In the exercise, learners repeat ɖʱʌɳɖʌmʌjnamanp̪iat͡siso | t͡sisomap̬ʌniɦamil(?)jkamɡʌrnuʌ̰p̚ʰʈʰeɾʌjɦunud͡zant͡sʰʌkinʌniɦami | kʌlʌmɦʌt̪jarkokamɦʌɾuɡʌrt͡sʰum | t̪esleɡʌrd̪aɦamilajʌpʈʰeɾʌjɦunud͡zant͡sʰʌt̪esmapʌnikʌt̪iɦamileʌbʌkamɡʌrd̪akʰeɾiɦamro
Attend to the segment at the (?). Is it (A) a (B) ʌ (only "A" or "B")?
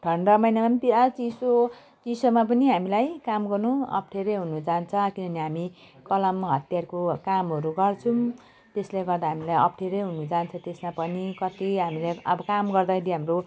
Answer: A